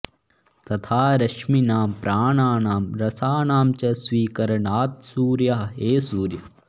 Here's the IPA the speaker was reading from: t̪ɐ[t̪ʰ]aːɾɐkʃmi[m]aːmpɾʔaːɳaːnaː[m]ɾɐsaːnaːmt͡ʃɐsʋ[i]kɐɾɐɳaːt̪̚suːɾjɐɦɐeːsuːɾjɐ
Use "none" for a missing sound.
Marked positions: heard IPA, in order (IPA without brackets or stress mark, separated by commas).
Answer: t̪ʰ, n, m, iː